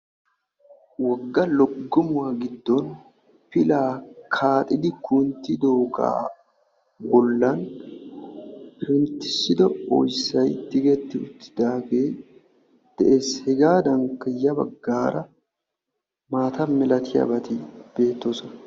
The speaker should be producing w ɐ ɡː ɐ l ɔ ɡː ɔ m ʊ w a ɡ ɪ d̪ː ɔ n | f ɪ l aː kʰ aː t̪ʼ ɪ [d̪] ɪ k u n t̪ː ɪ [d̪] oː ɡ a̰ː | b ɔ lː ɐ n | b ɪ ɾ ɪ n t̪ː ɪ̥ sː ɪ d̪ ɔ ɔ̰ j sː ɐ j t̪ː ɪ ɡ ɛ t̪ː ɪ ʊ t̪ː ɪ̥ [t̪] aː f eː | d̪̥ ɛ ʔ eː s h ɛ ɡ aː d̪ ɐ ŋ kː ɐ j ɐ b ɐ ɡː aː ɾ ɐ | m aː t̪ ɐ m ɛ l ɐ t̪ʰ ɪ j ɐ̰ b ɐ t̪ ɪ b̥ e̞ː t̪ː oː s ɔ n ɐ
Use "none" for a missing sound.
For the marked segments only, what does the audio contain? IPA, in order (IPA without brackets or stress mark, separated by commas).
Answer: d̪, d̪, d̪